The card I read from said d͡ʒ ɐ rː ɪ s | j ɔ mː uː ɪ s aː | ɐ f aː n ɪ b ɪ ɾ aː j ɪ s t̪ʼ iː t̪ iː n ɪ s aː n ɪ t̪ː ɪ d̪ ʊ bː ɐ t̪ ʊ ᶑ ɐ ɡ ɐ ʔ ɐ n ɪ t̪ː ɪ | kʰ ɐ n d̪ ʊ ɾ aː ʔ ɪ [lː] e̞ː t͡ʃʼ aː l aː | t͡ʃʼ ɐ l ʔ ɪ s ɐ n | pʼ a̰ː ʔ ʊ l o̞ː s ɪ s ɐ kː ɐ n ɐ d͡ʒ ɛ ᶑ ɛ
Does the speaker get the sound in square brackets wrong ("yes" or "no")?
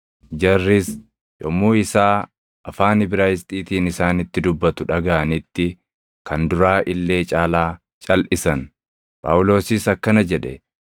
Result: no